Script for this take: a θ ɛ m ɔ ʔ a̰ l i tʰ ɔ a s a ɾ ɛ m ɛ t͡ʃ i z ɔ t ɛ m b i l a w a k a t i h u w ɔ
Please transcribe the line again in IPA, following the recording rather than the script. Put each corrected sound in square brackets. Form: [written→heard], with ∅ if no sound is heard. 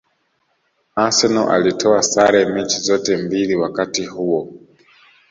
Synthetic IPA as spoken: a [θ→s] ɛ [m→n] ɔ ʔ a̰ l i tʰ ɔ a s a ɾ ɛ m ɛ t͡ʃ i z ɔ t ɛ m b i l [a→i] w a k a t i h u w ɔ